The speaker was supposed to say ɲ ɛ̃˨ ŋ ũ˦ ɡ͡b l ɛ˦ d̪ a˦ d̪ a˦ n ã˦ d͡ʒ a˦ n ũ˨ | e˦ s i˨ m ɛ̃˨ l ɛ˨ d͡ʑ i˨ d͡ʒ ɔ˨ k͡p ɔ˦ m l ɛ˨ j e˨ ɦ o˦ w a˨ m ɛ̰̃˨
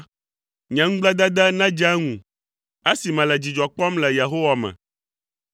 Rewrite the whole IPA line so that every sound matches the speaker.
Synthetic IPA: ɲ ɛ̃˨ ŋ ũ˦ ɡ͡b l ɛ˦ d̪ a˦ d̪ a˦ n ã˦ d͡ʒ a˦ ŋ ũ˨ | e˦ s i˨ m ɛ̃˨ l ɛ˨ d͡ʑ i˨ d͡ʒ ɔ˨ k͡p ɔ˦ m l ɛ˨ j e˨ ɦ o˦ w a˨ m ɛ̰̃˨

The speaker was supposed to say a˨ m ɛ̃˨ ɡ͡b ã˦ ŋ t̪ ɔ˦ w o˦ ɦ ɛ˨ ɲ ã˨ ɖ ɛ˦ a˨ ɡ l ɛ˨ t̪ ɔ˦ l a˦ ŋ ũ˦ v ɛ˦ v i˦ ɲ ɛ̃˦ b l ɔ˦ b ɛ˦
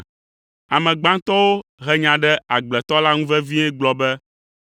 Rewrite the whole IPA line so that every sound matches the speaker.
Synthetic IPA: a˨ m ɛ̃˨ ɡ͡b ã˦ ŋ t̪ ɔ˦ w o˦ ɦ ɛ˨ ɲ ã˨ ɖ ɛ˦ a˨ ɡ͡b l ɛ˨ t̪ ɔ˦ l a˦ ŋ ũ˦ v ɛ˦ v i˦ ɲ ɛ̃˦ ɡ͡b l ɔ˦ b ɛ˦

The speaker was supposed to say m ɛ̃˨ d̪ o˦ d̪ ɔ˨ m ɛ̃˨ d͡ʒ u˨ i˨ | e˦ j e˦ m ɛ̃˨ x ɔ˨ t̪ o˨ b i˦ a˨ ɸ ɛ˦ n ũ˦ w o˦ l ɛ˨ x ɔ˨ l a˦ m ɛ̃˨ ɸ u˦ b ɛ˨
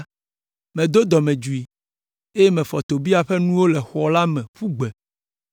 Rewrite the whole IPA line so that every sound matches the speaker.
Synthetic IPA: m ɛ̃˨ d̪ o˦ d̪ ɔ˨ m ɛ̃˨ d͡ʒ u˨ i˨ | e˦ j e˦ m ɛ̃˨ f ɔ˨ t̪ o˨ b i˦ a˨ ɸ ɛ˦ n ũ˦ w o˦ l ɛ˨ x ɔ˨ l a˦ m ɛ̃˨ ɸ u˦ ɡ͡b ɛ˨

